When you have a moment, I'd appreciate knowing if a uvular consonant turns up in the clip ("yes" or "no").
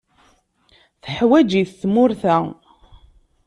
no